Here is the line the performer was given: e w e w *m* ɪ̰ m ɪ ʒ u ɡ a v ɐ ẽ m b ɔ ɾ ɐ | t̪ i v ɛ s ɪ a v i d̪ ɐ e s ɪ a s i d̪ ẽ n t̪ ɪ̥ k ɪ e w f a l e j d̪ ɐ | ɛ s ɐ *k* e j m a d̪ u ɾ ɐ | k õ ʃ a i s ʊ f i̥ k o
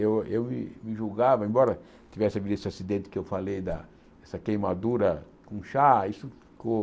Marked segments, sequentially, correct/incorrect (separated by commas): correct, correct